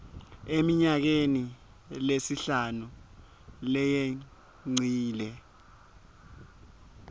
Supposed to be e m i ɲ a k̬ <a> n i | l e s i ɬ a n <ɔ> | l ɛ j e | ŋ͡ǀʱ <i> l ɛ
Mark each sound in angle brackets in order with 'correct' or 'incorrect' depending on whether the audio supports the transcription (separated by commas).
incorrect, incorrect, incorrect